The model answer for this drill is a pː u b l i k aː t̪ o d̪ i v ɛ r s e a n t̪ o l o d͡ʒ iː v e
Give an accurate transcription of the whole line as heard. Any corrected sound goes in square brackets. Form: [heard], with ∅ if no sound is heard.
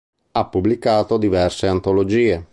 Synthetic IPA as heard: a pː u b l i k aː t̪ o d̪ i v ɛ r s e a n t̪ o l o d͡ʒ iː [∅] e